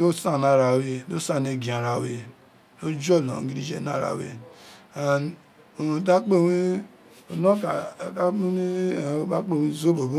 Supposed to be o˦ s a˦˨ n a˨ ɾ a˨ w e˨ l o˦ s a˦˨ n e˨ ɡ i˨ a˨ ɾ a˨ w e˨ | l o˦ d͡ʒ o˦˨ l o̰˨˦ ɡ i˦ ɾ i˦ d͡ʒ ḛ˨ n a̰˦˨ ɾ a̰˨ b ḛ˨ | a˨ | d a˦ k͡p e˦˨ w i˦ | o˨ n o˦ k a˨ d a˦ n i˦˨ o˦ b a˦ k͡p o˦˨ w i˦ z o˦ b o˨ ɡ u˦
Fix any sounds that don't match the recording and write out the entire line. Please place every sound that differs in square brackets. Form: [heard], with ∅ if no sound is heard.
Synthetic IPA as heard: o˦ s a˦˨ n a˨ ɾ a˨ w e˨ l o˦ s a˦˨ n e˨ ɡ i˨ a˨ ɾ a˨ w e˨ | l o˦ d͡ʒ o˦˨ l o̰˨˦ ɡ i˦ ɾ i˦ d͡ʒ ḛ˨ n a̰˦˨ ɾ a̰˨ [w] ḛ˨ | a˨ | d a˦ k͡p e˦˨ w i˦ | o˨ n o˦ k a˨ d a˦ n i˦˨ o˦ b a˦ k͡p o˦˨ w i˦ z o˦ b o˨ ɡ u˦